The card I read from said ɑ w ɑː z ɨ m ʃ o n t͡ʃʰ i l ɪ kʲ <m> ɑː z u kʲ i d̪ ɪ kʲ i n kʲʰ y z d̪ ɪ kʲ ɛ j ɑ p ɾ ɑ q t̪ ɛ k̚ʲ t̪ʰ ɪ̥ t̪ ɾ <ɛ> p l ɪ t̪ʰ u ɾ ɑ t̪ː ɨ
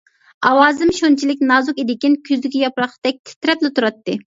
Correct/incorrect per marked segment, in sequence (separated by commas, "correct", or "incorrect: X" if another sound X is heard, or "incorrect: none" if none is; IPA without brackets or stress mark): incorrect: n, correct